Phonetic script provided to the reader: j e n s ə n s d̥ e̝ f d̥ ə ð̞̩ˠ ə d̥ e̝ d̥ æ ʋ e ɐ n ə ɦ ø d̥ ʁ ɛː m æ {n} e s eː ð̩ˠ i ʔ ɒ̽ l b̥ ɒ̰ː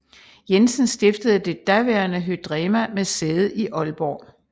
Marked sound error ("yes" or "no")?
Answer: yes